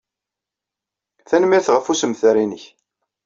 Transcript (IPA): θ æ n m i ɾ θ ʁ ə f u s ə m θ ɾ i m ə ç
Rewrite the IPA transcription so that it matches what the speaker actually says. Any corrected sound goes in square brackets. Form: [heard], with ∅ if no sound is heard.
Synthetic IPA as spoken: θ æ n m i ɾ θ ʁ ə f u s ə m θ ɾ i [n] ə ç